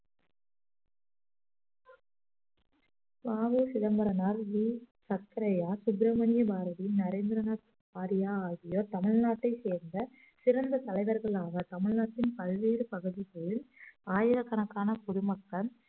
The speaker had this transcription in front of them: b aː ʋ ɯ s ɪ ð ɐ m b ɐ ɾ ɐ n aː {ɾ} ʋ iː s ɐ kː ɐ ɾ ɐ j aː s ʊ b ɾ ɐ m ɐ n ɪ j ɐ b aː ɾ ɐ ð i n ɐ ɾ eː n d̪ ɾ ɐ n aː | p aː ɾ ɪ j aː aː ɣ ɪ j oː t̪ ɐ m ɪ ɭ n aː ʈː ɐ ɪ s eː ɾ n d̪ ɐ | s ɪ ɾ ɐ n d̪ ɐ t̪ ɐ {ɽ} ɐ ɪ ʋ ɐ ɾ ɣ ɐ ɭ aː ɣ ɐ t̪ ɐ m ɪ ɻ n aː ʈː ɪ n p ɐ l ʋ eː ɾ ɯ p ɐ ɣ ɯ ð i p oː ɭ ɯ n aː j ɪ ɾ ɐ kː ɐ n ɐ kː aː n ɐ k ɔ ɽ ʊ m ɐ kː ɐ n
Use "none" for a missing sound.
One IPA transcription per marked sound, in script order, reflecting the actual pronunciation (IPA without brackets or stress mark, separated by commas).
ɾ, l